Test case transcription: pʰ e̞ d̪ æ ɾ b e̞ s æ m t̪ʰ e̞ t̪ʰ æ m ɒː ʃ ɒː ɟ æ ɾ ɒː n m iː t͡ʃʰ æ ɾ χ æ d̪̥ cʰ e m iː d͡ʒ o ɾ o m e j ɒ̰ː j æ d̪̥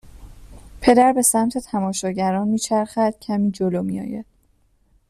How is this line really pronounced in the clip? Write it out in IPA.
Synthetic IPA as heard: pʰ e̞ d̪ æ ɾ b e̞ s æ m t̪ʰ e̞ t̪ʰ æ m ɒː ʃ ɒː ɟ æ ɾ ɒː n m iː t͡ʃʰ æ ɾ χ æ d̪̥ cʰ æ m iː d͡ʒ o l o m i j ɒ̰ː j æ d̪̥